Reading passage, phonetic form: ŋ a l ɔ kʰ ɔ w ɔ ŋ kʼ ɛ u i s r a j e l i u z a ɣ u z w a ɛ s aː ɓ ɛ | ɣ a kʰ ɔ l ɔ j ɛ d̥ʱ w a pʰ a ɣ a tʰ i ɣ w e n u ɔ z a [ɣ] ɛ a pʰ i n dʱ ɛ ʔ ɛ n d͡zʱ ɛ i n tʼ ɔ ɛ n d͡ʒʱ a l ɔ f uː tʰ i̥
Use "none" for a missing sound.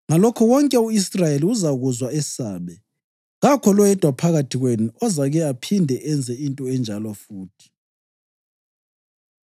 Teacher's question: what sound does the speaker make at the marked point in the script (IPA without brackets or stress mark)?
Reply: ɣ